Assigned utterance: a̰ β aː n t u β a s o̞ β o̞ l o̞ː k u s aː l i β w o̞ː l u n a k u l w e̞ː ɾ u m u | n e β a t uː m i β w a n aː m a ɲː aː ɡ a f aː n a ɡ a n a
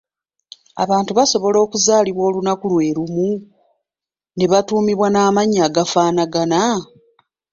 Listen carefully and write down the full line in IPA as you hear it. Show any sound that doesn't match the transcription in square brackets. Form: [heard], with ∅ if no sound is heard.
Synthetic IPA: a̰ β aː n t u β a s o̞ β o̞ l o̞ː k u [z] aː l i β w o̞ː l u n a k u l w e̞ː ɾ u m u | n e β a t uː m i β w a n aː m a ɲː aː ɡ a f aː n a ɡ a n a